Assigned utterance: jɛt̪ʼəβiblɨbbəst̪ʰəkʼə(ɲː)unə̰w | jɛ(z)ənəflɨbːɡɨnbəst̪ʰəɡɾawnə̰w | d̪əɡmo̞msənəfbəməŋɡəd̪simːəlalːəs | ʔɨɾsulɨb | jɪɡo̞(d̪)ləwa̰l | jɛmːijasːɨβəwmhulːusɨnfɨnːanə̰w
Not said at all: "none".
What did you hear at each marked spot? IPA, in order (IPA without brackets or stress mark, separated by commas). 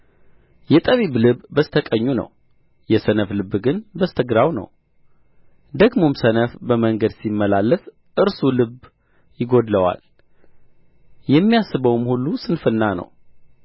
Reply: ɲː, s, d̪